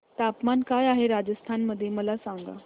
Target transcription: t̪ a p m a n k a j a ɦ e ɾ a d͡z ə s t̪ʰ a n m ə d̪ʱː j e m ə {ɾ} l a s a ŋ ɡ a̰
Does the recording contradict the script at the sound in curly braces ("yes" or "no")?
yes